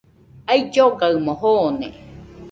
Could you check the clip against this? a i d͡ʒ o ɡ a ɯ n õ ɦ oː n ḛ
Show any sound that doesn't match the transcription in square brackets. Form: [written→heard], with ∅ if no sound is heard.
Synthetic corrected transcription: a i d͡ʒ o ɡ a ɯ [n→m] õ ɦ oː n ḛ